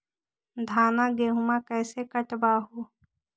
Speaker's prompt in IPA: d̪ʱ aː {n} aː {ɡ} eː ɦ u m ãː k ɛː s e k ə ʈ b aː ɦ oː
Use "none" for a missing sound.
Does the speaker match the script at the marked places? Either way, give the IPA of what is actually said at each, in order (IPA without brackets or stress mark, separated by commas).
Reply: n, ɡ